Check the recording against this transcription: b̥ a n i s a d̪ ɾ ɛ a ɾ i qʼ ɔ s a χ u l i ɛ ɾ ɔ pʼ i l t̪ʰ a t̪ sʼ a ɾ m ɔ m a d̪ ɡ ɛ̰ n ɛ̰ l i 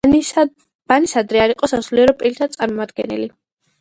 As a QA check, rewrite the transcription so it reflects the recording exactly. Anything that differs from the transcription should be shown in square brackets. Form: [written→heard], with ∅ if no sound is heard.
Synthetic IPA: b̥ a n i s a d̪ ɾ ɛ a ɾ i qʼ ɔ s a [χ→s] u l i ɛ ɾ ɔ pʼ i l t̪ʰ a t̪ sʼ a ɾ m ɔ m a d̪ ɡ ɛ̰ n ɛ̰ l i